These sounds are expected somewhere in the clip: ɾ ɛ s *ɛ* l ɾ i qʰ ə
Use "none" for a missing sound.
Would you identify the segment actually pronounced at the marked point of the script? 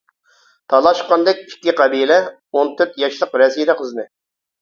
i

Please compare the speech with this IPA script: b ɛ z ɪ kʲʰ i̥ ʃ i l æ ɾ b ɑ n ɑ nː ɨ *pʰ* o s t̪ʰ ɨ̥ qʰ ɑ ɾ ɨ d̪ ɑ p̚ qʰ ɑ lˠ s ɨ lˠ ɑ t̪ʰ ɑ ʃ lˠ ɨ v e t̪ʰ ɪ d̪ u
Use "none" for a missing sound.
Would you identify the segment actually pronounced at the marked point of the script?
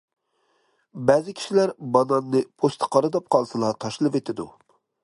pʰ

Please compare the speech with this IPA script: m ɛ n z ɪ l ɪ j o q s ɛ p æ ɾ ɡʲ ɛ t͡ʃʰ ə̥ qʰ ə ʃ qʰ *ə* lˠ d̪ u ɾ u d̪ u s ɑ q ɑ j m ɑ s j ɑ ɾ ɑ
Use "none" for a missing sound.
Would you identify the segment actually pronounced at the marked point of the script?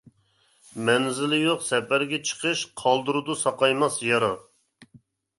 ɑ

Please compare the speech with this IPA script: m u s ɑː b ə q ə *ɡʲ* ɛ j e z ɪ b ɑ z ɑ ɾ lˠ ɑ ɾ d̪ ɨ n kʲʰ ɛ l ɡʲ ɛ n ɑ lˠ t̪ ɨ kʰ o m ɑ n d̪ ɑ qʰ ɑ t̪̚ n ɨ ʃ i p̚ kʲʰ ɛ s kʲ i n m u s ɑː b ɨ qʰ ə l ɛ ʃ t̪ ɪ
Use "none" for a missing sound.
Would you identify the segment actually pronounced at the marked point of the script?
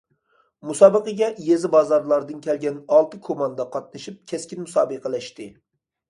ɡʲ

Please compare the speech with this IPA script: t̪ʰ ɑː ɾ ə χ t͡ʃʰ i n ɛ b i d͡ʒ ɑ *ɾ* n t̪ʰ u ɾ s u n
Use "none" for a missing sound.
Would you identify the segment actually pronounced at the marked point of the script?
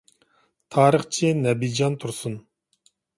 none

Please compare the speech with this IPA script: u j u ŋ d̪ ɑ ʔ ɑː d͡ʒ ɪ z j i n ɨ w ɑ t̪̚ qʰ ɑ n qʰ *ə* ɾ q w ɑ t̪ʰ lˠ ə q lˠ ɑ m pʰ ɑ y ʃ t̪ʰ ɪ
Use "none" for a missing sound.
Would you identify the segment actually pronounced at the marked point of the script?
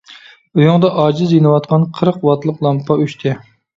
ə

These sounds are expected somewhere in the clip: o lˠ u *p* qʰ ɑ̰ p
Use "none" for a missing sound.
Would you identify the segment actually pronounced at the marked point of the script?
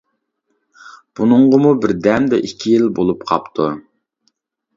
p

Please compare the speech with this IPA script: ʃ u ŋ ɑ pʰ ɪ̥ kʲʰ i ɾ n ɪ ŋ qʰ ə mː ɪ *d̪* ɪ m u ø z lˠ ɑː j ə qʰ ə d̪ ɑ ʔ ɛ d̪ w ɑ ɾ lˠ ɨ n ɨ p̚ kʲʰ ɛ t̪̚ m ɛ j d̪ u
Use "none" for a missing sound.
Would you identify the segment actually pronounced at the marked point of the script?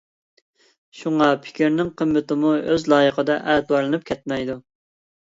t̪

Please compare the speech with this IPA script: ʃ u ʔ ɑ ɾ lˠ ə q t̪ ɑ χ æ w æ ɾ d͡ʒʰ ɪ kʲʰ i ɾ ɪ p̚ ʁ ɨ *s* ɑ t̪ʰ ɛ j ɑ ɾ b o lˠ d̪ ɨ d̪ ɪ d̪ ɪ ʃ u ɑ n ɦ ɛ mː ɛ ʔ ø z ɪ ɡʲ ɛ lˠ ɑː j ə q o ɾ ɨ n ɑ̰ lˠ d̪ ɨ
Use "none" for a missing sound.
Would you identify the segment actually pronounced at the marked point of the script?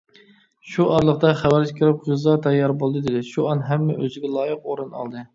z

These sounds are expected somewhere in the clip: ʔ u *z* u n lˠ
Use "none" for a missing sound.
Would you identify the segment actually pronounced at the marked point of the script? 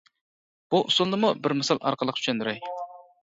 s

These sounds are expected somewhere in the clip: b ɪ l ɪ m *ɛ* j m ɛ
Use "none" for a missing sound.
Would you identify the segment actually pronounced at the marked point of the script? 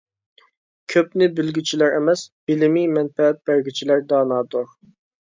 i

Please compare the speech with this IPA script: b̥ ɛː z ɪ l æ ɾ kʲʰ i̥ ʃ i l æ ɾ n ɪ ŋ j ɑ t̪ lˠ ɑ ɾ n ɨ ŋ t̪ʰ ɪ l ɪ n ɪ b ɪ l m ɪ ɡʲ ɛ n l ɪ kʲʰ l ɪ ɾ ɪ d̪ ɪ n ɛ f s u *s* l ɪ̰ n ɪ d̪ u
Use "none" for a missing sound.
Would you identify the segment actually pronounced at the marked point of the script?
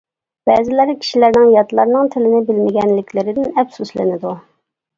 s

